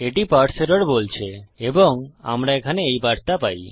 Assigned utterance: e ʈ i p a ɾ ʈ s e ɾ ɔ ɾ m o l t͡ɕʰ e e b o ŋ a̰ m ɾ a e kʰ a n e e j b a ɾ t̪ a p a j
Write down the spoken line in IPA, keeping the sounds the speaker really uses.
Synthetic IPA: e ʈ i p a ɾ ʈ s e ɾ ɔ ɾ b o l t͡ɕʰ e e b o ŋ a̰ m ɾ a e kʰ a n e e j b a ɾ t̪ a p a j